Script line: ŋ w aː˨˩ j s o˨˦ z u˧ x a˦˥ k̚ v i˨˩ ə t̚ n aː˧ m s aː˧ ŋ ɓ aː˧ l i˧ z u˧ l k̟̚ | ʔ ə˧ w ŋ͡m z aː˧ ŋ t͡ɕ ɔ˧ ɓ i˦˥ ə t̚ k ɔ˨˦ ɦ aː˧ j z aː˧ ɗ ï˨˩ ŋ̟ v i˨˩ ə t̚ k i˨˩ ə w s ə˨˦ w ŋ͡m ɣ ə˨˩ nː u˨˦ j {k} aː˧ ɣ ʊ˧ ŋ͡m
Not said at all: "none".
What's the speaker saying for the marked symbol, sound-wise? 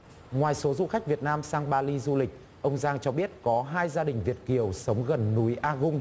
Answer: ʔ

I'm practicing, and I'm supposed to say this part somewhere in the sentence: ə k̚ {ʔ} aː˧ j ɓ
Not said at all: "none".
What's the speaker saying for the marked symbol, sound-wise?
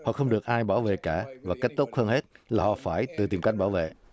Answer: ʔ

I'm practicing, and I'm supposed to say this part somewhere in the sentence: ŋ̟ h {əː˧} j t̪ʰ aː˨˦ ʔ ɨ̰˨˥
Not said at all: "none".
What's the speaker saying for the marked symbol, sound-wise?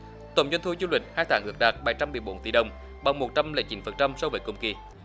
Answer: aː˧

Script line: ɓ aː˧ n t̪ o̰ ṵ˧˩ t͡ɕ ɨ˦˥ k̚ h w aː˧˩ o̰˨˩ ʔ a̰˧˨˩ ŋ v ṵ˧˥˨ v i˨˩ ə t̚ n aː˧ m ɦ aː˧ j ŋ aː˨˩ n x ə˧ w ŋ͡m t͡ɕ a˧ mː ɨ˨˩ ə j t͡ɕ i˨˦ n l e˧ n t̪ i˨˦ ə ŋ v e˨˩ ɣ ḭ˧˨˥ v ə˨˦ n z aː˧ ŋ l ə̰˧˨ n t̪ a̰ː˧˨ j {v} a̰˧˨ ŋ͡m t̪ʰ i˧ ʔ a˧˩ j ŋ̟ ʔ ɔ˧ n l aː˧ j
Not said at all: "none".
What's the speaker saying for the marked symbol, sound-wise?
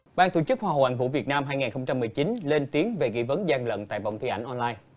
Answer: v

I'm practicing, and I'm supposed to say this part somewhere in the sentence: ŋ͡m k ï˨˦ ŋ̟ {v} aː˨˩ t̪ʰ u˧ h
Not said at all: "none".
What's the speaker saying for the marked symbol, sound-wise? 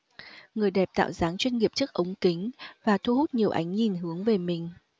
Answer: v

